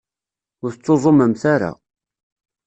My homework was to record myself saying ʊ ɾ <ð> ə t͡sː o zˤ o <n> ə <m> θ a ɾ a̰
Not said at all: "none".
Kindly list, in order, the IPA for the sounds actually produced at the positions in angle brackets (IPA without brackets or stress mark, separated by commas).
θ, m, m